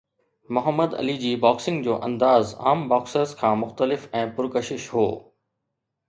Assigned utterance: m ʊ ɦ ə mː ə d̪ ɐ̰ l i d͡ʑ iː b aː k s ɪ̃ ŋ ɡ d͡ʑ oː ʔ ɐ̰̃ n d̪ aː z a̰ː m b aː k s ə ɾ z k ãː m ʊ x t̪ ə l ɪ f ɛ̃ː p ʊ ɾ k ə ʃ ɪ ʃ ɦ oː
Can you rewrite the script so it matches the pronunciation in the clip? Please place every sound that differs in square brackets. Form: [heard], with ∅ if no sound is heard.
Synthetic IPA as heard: m ʊ ɦ ə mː ə d̪ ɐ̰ l i d͡ʑ iː b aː k s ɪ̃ ŋ ɡ d͡ʑ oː ʔ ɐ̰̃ n d̪ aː z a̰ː m b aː k s ə ɾ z [kʰ] ãː m ʊ x t̪ ə l ɪ f ɛ̃ː p ʊ ɾ k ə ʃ ɪ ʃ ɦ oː